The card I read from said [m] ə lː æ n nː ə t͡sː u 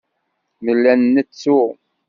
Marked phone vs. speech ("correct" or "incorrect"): correct